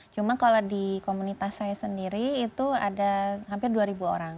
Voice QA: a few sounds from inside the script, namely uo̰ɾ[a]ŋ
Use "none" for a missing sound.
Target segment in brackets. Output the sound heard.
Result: a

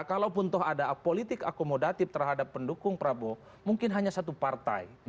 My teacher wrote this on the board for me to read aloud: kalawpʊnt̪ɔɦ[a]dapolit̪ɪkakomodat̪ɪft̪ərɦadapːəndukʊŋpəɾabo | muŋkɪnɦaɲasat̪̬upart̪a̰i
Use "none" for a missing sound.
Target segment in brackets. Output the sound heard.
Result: a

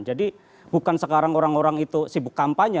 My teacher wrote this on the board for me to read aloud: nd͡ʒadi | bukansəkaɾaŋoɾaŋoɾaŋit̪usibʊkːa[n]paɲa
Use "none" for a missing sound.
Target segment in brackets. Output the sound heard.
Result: m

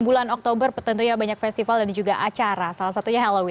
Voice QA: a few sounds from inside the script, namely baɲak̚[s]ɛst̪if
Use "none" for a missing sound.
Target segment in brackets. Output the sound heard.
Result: f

